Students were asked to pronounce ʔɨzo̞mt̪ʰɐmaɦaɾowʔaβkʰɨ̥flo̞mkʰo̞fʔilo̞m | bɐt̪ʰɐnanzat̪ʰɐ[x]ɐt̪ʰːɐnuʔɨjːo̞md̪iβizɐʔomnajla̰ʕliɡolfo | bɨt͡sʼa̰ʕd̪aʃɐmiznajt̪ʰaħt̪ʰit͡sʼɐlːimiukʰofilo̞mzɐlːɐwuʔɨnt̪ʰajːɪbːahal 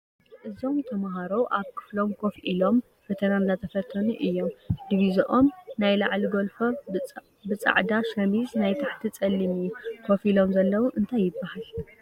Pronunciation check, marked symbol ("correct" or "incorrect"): incorrect